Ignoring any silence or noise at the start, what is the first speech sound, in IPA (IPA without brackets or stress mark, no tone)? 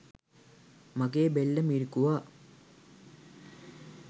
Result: m